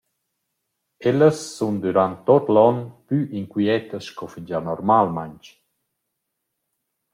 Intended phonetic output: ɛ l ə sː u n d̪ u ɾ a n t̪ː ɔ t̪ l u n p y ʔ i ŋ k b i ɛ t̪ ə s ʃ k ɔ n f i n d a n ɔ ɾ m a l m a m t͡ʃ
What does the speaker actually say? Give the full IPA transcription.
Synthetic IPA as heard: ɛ l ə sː u n d̪ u ɾ a n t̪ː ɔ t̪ l ɔ n p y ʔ i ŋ k w i ɛ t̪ ə s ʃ k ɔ f i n d͡ʒ a n ɔ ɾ m a l m a ɲ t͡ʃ